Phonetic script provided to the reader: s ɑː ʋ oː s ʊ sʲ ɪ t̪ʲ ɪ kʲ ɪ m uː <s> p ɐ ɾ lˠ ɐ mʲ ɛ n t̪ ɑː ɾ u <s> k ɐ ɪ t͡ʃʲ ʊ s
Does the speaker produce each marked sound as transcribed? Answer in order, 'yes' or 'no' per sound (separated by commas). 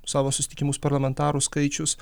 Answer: yes, yes